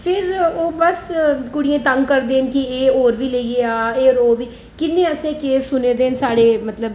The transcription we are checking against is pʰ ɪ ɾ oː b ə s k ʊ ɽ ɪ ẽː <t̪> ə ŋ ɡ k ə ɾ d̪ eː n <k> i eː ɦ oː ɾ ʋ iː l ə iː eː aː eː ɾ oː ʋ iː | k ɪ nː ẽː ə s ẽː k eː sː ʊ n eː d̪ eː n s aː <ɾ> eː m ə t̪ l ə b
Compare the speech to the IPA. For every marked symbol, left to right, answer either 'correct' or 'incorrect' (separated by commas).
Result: correct, correct, incorrect